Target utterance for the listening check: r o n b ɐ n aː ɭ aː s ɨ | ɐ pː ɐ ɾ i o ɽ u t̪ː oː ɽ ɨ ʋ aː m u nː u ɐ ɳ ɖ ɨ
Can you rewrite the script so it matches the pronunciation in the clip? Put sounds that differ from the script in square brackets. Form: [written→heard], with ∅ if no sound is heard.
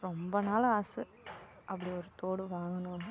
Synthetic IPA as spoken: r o [n→m] b ɐ n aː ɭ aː s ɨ | ɐ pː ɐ [ɾ→ɽ] i o [ɽ→ɾ] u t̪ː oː ɽ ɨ ʋ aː [m→ŋ] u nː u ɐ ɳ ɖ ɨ

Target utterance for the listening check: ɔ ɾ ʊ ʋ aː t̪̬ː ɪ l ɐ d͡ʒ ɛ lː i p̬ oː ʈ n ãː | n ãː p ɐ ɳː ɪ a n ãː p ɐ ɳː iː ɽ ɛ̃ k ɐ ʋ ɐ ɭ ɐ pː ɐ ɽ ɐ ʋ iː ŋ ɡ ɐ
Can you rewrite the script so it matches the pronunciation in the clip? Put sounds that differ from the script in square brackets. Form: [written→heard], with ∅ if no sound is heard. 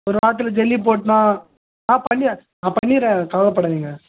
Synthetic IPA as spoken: ɔ ɾ [ʊ→ɯ] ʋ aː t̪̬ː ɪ l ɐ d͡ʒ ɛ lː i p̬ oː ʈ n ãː | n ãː p ɐ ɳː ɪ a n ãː p ɐ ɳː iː [ɽ→ɾ] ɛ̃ k ɐ ʋ ɐ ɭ ɐ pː ɐ ɽ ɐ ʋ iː ŋ ɡ ɐ

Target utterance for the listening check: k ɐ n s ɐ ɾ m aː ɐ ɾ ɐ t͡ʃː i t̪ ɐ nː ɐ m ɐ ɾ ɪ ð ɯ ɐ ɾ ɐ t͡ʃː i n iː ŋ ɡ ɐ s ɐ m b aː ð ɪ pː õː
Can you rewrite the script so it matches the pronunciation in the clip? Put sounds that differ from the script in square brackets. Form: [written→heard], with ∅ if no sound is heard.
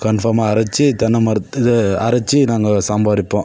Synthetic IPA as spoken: k ɐ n [s→f] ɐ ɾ m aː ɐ ɾ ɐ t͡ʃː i t̪ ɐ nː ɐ m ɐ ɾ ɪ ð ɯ ɐ ɾ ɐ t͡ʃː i n [iː→aː] ŋ ɡ ɐ s ɐ m b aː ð ɪ pː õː

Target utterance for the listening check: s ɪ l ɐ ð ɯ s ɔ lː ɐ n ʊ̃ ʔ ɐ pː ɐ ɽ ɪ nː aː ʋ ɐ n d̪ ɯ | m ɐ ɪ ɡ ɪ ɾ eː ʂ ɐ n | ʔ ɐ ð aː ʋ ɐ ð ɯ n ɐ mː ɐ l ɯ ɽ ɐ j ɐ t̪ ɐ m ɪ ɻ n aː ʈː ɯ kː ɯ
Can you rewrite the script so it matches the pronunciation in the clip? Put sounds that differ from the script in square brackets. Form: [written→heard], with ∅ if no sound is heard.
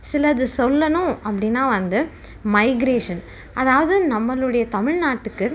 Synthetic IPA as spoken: s ɪ l ɐ ð ɯ s ɔ lː ɐ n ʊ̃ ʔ ɐ pː ɐ ɽ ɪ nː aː ʋ ɐ n d̪ ɯ | m ɐ ɪ ɡ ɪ ɾ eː ʂ ɐ n | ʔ ɐ ð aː ʋ ɐ ð ɯ n ɐ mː ɐ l ɯ ɽ ɐ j ɐ t̪ ɐ m ɪ ɻ n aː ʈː ɯ kː ɯ

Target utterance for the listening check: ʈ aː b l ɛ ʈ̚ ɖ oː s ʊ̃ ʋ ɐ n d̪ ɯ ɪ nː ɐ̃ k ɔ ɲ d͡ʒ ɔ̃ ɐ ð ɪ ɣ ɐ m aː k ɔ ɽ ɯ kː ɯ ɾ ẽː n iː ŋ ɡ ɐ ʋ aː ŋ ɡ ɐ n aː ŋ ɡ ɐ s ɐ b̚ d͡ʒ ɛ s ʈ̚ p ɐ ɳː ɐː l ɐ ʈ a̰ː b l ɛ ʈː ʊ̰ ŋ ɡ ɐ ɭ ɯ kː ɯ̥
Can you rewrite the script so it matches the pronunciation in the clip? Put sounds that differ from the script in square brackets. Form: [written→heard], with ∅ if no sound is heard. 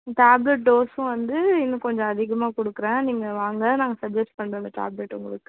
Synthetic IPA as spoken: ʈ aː b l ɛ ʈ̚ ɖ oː s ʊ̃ ʋ ɐ n d̪ ɯ ɪ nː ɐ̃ k ɔ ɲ d͡ʒ ɔ̃ ɐ ð ɪ ɣ ɐ m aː k ɔ ɽ ɯ kː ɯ ɾ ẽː n iː ŋ ɡ ɐ ʋ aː ŋ ɡ ɐ n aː ŋ ɡ ɐ s ɐ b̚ d͡ʒ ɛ s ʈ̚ p ɐ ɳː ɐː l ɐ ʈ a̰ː b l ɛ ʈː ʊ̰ ŋ ɡ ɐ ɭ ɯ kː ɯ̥

